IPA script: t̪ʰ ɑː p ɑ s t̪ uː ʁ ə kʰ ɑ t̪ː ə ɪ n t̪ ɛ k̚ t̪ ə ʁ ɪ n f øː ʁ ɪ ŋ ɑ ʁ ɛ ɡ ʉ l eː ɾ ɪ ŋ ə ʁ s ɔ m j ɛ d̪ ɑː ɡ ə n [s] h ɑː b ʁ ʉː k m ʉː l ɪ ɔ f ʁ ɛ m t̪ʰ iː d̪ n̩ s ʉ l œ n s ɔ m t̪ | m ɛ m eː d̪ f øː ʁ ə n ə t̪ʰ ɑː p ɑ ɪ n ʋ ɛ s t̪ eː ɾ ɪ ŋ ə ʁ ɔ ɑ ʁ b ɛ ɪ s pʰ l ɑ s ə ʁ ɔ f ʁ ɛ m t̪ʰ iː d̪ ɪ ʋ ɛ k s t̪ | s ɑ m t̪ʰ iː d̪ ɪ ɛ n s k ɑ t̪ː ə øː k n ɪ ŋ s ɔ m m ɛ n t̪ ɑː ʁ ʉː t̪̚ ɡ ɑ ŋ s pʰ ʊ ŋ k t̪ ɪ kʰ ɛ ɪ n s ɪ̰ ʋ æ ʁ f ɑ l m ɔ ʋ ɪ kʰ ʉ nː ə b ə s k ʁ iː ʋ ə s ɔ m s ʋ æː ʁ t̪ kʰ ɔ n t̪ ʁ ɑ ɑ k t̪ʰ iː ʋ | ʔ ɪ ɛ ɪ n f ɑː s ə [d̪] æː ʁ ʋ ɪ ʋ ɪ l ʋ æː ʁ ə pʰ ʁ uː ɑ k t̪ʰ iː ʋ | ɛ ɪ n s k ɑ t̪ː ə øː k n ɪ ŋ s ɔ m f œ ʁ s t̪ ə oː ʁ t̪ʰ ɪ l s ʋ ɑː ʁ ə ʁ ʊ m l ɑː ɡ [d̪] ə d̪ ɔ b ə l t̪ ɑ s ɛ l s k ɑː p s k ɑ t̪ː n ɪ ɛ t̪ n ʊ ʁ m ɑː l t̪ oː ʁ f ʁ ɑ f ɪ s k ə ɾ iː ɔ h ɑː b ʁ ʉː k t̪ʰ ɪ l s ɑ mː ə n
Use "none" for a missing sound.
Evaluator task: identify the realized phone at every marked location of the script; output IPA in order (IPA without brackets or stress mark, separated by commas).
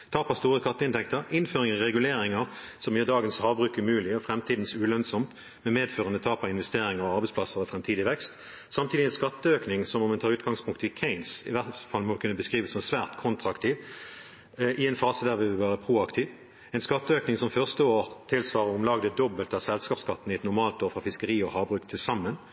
s, d̪, d̪